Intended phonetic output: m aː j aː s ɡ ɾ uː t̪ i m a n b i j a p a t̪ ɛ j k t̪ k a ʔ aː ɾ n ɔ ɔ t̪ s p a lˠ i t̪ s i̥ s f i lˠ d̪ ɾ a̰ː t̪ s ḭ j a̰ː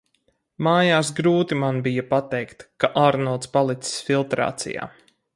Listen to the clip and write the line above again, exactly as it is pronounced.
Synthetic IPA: m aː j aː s ɡ ɾ uː t̪ i m a n b i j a p a t̪ ɛ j k t̪ k a ʔ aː ɾ n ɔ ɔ t̪ s p a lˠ i t̪ s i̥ s f i lˠ t̪ ɾ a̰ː t̪ s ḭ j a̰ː

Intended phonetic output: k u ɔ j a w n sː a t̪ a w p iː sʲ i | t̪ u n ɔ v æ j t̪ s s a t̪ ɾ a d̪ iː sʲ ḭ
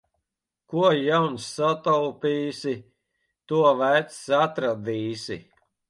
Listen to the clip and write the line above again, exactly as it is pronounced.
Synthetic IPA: k u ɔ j a w n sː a t̪ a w p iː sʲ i | t̪ u ɔ v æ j t̪ s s a t̪ ɾ a d̪ iː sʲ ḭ

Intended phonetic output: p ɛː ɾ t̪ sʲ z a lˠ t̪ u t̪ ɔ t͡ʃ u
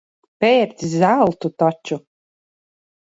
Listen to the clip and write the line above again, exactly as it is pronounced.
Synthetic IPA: p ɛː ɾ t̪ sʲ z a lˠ t̪ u t̪ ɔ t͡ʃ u

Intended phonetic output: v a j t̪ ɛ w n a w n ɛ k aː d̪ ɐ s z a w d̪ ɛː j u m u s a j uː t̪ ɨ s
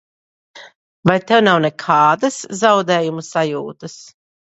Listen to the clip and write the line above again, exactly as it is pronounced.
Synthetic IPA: v a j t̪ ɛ w n a w n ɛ kʰ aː d̪ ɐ s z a w d̪ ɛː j u m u s a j uː t̪ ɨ s

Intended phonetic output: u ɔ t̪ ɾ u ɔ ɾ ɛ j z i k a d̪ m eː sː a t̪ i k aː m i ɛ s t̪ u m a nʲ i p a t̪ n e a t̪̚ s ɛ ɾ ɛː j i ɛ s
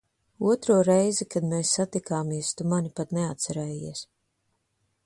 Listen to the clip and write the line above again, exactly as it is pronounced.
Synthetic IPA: u ɔ t̪ ɾ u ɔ ɾ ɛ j z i k a d̪ m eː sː a t̪ i k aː m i ɛ s t̪ u m a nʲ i p a t̪ n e a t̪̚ s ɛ ɾ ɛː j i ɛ s

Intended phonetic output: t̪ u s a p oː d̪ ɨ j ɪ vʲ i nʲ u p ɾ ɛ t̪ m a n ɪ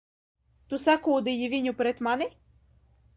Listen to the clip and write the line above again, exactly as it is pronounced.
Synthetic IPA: t̪ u s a k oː d̪ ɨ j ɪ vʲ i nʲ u p ɾ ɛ t̪ m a n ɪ

